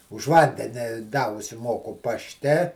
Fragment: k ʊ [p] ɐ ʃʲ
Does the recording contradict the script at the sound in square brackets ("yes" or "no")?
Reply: no